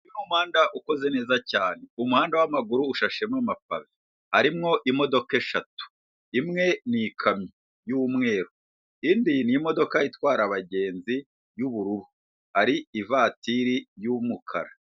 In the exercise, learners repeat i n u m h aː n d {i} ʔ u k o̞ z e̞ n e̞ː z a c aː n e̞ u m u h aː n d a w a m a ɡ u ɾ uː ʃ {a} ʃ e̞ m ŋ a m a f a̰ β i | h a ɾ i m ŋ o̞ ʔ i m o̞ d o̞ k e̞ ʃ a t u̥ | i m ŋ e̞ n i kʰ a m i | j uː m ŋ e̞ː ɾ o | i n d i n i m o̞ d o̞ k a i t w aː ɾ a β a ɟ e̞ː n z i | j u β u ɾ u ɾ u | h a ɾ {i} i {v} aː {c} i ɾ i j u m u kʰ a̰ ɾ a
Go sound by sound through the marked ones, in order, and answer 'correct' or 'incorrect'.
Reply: incorrect: a, correct, correct, correct, incorrect: t

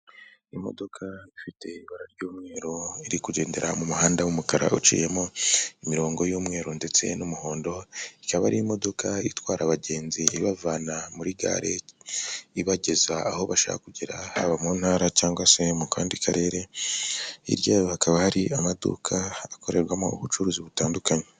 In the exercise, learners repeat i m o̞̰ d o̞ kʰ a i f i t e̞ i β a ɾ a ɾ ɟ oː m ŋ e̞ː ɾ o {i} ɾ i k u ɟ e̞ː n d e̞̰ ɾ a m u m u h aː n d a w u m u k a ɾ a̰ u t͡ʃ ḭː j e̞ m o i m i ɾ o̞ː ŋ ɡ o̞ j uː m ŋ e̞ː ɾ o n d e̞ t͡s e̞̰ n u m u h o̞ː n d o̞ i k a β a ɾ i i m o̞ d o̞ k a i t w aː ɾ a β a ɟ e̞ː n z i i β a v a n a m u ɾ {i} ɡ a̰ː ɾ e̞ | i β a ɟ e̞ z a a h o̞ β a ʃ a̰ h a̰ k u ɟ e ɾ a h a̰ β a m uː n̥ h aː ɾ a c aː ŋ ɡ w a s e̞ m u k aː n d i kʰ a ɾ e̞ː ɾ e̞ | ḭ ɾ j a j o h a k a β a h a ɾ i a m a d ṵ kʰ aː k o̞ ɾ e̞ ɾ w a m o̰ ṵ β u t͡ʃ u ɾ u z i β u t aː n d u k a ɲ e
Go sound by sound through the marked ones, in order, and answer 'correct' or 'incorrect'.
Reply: correct, correct

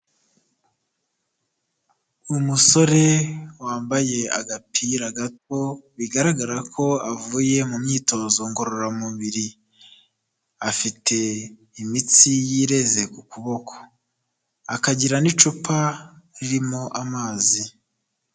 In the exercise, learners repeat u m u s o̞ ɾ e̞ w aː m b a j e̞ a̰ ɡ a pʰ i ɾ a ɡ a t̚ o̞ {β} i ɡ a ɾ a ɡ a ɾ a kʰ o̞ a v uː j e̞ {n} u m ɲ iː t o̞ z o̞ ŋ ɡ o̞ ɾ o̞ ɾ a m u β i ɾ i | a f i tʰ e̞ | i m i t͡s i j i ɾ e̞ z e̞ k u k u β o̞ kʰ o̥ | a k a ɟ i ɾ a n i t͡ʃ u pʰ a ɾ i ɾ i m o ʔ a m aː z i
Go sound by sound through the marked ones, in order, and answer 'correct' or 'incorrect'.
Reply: correct, incorrect: m

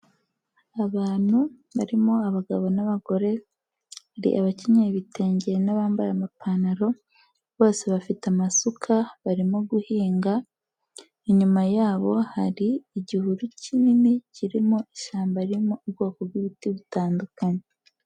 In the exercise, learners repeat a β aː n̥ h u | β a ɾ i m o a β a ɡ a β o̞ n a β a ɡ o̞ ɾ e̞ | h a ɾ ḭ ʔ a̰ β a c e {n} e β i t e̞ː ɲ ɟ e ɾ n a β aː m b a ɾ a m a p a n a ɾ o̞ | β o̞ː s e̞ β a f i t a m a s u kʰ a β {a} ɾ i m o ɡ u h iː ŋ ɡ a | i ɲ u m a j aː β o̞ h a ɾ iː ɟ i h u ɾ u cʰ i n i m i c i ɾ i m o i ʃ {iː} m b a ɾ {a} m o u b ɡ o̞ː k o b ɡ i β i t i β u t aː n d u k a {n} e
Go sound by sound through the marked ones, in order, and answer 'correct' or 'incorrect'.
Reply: incorrect: ɲ, correct, incorrect: aː, incorrect: i, incorrect: ɲ

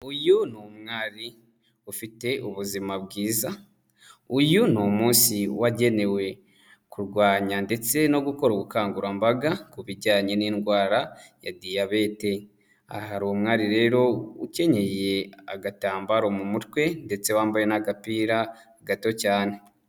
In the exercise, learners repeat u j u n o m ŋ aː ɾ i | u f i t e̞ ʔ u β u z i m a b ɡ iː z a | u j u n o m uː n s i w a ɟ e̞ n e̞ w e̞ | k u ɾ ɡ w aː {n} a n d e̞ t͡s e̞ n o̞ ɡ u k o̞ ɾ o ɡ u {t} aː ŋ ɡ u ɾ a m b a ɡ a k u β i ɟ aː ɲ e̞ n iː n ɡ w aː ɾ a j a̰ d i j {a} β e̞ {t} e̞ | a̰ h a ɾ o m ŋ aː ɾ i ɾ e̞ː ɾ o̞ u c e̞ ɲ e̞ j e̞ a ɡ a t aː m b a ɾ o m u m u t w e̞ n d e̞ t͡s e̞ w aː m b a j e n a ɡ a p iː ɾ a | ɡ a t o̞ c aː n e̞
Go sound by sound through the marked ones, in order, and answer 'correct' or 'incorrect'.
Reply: incorrect: ɲ, incorrect: k, correct, correct

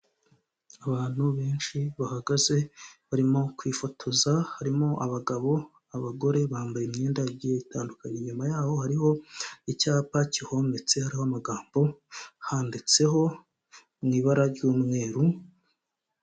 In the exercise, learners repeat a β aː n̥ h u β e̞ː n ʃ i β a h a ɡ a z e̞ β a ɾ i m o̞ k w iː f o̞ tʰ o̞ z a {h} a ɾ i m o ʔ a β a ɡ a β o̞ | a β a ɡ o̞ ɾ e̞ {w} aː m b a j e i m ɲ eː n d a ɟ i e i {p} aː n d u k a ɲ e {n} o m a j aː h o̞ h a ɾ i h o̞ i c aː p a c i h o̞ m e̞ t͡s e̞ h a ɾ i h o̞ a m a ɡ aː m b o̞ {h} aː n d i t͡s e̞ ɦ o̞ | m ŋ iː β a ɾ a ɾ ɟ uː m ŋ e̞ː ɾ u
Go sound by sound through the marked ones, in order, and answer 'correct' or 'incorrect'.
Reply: correct, incorrect: β, incorrect: t, incorrect: ɲ, correct

